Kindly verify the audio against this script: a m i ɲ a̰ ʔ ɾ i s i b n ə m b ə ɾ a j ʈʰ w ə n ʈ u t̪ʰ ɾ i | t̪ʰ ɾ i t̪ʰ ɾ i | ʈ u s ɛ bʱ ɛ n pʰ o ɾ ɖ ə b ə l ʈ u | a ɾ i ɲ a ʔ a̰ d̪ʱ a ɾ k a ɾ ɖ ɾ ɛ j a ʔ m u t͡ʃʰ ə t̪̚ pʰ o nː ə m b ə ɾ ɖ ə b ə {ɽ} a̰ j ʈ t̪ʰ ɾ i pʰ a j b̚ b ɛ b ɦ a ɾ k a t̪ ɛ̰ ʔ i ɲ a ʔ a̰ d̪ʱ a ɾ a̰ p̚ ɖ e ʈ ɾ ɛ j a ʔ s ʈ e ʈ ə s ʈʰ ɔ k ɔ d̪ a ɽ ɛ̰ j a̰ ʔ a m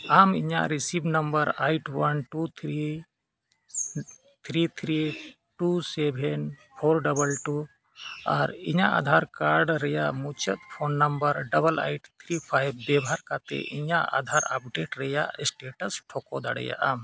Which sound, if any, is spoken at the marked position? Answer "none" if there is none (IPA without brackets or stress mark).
l